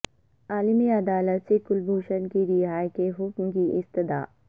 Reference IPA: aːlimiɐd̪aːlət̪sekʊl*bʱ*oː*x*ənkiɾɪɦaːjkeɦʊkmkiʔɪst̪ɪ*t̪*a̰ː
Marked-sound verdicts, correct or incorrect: correct, incorrect, incorrect

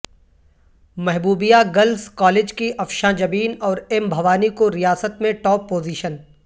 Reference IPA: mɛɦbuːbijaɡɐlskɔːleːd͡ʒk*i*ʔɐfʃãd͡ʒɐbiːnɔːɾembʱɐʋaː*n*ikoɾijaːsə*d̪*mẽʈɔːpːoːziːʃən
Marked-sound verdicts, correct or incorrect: correct, correct, incorrect

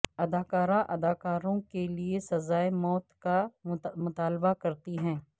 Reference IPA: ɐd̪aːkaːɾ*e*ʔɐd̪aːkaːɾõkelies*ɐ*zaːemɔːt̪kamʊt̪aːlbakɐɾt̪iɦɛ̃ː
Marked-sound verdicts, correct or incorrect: incorrect, correct

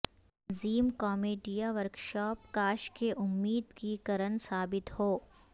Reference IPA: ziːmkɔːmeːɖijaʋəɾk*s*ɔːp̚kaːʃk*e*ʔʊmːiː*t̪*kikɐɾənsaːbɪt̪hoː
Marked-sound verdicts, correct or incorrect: incorrect, correct, incorrect

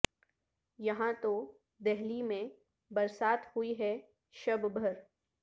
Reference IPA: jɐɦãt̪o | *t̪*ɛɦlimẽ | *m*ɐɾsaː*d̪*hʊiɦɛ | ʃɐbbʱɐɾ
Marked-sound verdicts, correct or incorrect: incorrect, incorrect, incorrect

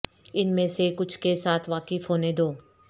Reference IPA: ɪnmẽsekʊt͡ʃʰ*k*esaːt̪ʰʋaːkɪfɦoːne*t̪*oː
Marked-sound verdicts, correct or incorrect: correct, incorrect

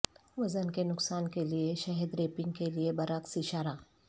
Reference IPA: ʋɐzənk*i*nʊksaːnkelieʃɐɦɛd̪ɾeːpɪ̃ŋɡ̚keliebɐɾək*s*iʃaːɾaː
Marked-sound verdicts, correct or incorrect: incorrect, correct

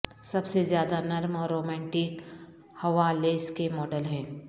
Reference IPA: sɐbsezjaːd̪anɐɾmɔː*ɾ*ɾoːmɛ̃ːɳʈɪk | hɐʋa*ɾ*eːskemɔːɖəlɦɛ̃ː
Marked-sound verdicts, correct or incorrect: correct, incorrect

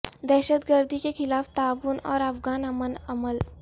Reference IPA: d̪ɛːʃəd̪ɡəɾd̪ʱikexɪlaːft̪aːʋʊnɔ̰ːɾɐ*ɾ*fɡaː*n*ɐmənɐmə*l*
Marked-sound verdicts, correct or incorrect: incorrect, correct, correct

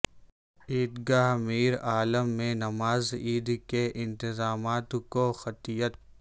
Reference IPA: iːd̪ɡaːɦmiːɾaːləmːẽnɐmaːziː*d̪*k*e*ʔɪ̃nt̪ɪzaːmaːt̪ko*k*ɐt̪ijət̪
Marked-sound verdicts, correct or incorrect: correct, correct, incorrect

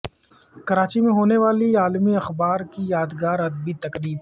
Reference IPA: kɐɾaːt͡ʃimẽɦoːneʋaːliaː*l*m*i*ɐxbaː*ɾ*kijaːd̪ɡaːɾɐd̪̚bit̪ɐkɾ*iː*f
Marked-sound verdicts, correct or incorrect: correct, correct, correct, correct

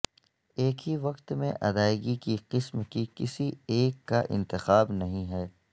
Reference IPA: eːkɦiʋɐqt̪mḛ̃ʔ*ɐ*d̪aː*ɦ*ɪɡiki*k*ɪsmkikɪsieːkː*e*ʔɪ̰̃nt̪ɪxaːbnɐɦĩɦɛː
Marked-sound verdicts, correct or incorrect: correct, incorrect, incorrect, incorrect

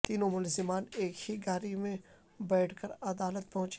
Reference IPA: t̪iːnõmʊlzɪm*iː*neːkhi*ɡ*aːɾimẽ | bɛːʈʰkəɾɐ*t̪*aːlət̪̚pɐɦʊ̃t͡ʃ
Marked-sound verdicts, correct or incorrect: incorrect, correct, incorrect

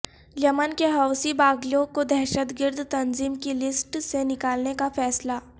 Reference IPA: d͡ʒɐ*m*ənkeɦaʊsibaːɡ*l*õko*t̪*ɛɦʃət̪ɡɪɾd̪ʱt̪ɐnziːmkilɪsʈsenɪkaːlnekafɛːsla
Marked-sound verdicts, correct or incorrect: correct, correct, incorrect

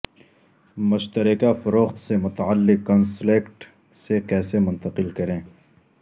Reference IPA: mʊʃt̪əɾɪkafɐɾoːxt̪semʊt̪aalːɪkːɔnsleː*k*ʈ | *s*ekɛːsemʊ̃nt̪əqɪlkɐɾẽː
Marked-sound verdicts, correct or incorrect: correct, correct

